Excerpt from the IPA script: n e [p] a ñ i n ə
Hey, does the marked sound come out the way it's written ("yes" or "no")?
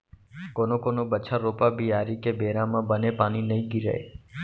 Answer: yes